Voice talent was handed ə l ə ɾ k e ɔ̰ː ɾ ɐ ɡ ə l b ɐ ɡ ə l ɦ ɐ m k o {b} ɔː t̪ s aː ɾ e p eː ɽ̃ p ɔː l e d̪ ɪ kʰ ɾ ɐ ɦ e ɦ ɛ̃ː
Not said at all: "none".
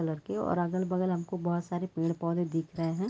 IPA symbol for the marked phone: b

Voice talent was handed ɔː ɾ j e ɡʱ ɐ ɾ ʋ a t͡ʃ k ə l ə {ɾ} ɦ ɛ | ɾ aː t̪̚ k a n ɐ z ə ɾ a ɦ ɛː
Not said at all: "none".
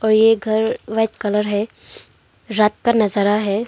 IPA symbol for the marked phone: ɾ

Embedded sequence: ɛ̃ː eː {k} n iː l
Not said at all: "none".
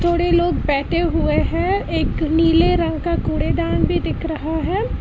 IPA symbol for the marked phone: k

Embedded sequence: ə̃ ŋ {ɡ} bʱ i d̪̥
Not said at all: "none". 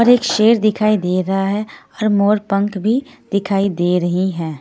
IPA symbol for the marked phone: k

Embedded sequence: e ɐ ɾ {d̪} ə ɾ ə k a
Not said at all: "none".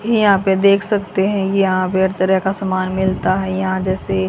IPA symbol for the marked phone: t̪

